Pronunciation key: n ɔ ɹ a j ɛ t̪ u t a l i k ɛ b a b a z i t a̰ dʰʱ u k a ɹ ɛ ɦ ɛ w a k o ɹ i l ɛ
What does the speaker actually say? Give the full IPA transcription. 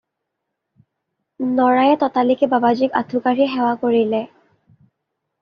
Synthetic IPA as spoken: n ɔ ɹ a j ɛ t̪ ɔ t a l i k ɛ b a b a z i k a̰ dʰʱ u k a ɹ i ɦ ɛ w a k o ɹ i l ɛ